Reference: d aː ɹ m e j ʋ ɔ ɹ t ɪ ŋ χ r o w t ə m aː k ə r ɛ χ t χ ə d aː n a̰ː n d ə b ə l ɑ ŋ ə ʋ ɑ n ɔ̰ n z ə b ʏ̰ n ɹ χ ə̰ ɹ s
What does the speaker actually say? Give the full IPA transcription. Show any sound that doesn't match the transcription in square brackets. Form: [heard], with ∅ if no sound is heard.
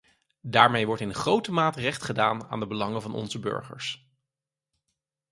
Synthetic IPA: d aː ɹ m e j ʋ ɔ ɹ t ɪ [n] χ r o w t ə m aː [t] ə r ɛ χ t χ ə d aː n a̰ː n d ə b ə l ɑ ŋ ə [v] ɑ n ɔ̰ n z ə b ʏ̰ [∅] ɹ χ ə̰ ɹ s